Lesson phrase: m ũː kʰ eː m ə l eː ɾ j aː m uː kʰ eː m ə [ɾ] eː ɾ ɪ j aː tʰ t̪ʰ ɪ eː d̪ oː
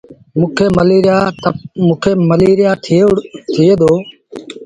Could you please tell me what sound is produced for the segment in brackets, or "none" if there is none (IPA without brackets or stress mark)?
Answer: l